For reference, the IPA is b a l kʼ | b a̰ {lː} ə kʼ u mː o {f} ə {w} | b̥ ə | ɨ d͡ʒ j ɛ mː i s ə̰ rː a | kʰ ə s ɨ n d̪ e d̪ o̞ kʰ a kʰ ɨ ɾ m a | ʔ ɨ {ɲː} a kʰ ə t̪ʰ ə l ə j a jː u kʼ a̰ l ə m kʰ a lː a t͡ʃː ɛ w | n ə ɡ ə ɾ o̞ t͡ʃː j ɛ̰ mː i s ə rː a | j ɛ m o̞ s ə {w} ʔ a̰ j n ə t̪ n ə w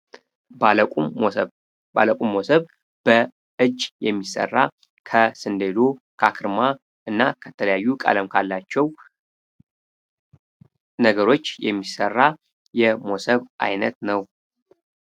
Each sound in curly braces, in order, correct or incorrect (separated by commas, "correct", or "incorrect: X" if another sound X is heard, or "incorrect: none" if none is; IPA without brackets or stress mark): incorrect: l, incorrect: s, incorrect: β, incorrect: nː, incorrect: β